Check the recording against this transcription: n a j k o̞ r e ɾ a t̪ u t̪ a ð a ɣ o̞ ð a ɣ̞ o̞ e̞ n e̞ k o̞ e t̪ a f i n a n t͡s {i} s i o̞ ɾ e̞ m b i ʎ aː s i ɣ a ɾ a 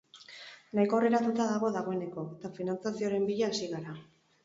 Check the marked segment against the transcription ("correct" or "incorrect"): incorrect